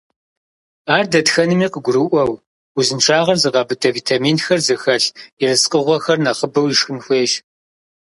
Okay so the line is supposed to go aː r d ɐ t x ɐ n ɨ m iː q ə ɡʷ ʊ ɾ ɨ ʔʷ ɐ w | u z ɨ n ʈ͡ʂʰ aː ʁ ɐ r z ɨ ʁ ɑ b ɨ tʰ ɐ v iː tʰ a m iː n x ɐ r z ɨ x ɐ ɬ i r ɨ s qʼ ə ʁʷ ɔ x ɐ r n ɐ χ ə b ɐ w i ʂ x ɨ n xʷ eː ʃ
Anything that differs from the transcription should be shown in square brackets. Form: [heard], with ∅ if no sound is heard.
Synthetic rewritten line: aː r d ɐ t x ɐ n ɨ m iː q ə ɡʷ ʊ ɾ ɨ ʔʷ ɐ w | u z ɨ n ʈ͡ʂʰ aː ʁ ɐ r z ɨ ʁ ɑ b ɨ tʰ ɐ v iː tʰ a m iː n x ɐ r z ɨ x ɐ ɬ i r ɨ s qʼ ə ʁʷ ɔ x ɐ r n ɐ χ ə b ɐ w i ʂ x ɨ n xʷ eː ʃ